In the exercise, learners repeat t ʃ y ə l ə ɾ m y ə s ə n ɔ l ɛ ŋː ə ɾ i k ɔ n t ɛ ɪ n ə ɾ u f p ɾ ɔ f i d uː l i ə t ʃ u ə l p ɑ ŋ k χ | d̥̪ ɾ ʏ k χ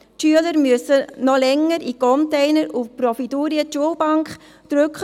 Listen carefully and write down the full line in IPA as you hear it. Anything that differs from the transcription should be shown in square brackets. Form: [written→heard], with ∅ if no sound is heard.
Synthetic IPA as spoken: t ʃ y ə l ə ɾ m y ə s ə n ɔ l ɛ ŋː ə ɾ i k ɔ n t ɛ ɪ n ə ɾ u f p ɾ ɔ f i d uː [l→ɾ] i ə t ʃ u ə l [p→b] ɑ ŋ k χ | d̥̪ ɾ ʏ k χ